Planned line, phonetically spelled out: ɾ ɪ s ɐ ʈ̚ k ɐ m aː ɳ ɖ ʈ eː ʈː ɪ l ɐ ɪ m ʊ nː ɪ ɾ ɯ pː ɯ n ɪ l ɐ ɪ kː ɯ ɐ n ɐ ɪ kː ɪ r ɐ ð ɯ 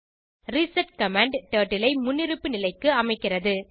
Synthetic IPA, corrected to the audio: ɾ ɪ s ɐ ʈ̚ k ɐ m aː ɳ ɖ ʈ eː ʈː ɪ l ɐ ɪ m ʊ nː ɪ ɾ ɯ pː ɯ n ɪ l ɐ ɪ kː ɯ ɐ m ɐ ɪ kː ɪ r ɐ ð ɯ